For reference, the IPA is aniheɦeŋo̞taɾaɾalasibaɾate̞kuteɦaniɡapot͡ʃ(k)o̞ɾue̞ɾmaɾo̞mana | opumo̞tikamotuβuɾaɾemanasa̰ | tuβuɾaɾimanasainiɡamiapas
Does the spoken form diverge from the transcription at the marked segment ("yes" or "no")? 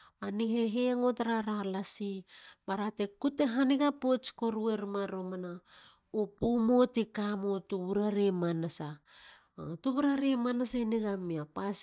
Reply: no